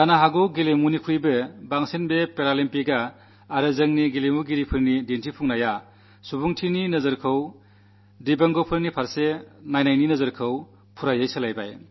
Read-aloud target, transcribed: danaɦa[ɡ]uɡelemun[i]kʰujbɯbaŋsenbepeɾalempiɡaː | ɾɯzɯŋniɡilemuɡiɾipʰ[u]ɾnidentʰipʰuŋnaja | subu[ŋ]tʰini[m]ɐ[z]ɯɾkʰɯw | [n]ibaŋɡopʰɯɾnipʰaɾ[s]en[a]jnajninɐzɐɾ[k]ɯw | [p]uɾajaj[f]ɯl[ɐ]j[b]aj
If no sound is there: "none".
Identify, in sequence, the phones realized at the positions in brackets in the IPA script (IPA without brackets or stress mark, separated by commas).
ɡ, i, ɯ, ŋ, n, z, d, s, a, kʰ, pʰ, s, a, b